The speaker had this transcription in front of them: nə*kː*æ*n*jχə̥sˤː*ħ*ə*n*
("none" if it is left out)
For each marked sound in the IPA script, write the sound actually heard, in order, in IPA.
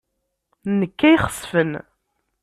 kː, none, f, n

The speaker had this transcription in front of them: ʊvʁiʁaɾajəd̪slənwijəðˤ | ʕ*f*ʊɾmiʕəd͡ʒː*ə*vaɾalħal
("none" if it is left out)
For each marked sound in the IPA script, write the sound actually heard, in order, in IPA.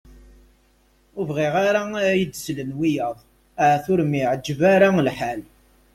θ, ə

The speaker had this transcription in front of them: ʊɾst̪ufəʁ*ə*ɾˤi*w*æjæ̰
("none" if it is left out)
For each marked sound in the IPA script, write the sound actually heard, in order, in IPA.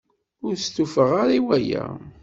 a, w

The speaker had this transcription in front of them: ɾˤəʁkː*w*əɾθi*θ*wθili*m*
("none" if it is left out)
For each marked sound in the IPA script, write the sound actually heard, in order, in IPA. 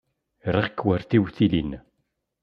w, none, n

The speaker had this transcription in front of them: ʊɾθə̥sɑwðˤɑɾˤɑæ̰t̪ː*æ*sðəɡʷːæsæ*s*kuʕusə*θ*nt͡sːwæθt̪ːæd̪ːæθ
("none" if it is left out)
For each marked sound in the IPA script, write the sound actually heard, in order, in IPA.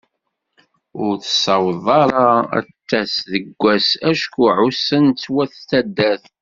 æ, ʃ, none

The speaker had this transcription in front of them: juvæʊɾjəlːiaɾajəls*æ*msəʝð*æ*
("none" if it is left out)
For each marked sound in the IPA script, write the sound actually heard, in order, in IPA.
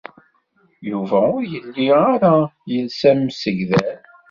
æ, æ

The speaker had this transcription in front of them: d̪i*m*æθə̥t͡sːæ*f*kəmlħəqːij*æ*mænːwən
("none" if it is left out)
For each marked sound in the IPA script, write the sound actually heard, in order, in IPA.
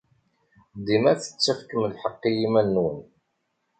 m, f, i

